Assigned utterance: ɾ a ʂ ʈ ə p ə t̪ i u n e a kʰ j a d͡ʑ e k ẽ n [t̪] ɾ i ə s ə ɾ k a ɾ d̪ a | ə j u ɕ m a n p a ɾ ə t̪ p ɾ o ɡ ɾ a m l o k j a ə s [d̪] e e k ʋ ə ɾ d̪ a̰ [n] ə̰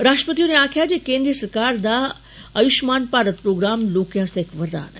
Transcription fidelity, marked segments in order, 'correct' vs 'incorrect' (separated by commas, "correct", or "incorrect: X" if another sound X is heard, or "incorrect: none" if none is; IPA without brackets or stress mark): incorrect: d̪, incorrect: t̪, correct